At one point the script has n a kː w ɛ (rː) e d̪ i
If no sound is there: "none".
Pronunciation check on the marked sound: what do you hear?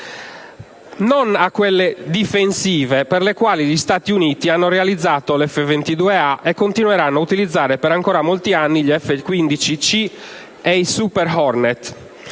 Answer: lː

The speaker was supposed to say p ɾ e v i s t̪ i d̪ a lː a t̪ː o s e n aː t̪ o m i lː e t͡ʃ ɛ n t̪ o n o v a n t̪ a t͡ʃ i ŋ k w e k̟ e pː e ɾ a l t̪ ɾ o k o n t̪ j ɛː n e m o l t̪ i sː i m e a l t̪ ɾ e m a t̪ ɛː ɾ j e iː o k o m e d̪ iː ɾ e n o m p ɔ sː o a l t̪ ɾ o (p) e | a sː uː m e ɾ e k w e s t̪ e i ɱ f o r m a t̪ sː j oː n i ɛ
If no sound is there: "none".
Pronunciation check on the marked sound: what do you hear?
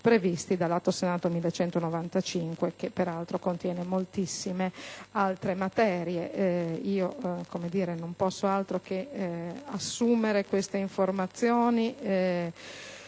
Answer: k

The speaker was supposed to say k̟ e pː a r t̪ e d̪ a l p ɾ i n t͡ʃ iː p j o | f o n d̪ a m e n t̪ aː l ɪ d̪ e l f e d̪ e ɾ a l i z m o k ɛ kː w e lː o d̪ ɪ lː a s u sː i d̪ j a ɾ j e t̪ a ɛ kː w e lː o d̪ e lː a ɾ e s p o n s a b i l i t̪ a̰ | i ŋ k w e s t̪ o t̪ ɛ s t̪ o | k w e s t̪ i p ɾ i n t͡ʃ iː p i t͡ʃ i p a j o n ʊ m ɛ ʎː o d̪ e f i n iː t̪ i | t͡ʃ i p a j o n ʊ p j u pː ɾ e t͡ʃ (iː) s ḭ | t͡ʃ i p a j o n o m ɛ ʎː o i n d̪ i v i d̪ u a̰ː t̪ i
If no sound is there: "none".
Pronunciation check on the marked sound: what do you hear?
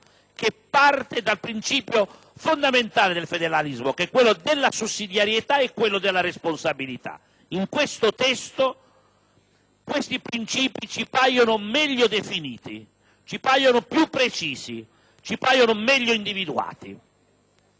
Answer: iː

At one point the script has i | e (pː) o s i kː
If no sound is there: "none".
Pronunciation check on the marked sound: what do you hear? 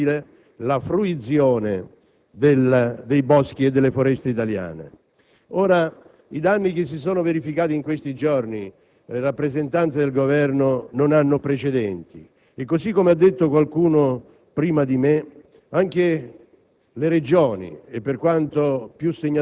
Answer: kː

